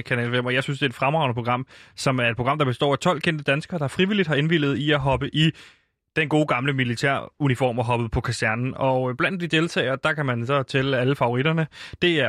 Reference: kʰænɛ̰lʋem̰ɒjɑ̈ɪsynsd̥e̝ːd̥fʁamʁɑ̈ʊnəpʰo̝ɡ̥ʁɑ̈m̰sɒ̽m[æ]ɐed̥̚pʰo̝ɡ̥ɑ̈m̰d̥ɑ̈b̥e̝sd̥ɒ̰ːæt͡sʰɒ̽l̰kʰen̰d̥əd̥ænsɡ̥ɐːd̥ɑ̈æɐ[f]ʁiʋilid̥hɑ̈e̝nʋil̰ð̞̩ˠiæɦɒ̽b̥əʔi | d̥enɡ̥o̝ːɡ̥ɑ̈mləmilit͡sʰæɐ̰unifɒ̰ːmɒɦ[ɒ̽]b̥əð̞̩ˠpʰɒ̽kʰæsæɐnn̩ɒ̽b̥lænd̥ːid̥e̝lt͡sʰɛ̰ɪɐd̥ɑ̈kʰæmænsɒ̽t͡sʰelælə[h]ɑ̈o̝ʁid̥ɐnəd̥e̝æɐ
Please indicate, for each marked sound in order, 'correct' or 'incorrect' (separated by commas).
correct, correct, correct, incorrect